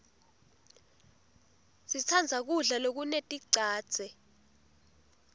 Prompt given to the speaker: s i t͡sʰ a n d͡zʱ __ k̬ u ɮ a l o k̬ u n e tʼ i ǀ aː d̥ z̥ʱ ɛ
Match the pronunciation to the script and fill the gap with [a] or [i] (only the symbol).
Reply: a